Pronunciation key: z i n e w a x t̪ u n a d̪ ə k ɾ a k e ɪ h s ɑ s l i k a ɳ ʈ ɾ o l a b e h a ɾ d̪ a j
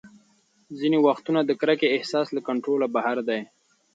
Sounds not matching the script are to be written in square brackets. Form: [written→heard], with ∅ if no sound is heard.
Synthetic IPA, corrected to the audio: z i n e w a x t̪ u n a d̪ ə k ɾ a k e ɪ h s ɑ s l [i→a] k a ɳ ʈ ɾ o l a b [e→a] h a ɾ d̪ a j